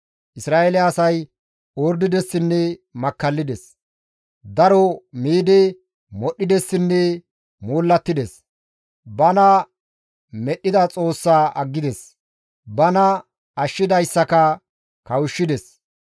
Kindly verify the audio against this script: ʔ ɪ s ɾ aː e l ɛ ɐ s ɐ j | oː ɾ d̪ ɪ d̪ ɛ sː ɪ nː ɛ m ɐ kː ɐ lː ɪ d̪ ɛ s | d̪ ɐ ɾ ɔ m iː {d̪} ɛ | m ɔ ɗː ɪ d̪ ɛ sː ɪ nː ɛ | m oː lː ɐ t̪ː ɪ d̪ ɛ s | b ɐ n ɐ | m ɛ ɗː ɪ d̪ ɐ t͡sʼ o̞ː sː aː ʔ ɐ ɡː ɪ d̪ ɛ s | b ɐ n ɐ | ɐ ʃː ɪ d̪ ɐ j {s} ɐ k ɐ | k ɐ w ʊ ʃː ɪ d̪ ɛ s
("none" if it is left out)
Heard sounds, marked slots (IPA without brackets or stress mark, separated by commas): d̪, sː